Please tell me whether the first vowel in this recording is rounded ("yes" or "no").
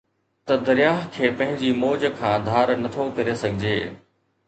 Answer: no